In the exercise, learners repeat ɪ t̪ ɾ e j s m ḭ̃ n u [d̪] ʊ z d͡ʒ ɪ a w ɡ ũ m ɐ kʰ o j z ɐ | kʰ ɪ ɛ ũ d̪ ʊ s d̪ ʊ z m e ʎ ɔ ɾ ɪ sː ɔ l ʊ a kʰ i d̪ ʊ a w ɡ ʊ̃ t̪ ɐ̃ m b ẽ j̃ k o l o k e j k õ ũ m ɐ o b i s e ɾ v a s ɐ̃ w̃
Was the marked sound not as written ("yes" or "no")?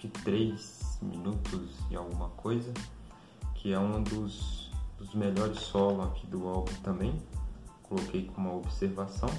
yes